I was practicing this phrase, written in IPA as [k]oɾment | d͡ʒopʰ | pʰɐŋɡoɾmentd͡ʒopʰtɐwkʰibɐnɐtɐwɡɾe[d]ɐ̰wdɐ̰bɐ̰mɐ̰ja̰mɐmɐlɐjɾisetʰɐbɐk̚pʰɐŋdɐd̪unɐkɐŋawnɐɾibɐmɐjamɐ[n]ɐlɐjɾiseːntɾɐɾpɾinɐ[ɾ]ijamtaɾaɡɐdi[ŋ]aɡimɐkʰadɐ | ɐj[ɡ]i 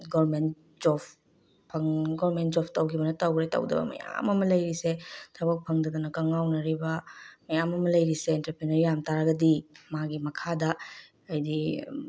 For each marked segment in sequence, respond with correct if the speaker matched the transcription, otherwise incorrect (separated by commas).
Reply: incorrect, incorrect, incorrect, correct, incorrect, incorrect